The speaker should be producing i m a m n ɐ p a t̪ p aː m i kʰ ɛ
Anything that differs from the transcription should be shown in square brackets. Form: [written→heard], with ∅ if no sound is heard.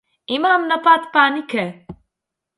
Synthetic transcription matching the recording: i m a m n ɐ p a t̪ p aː [m→n] i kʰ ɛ